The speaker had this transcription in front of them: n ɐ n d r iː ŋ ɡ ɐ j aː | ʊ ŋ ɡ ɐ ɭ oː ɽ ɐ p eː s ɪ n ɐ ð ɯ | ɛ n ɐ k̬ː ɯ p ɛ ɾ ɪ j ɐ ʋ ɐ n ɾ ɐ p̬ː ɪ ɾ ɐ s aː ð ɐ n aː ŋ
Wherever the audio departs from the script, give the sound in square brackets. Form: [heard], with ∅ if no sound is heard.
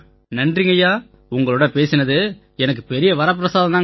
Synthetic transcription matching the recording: n ɐ n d r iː ŋ ɡ ɐ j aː | ʊ ŋ ɡ ɐ ɭ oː ɽ ɐ p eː s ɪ n ɐ ð ɯ | ɛ n ɐ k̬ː ɯ p ɛ ɾ ɪ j ɐ ʋ ɐ [∅] ɾ ɐ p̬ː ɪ ɾ ɐ s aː ð ɐ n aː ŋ